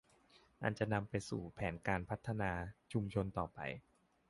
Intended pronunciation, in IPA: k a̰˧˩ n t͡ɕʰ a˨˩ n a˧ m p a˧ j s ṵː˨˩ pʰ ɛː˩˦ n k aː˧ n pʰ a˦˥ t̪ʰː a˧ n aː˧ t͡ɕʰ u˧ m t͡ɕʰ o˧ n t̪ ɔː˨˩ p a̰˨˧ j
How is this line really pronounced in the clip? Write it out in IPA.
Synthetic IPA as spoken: ʔ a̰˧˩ n t͡ɕ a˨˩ n a˧ m p a˧ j s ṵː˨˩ pʰ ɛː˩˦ n k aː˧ n pʰ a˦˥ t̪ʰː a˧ n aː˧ t͡ɕʰ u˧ m t͡ɕʰ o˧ n t̪ ɔː˨˩ p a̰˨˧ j